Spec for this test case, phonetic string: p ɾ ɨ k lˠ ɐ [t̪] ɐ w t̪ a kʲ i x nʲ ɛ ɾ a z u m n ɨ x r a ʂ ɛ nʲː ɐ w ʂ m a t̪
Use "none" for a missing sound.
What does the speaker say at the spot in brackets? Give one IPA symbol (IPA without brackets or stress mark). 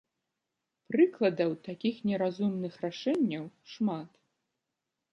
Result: d̪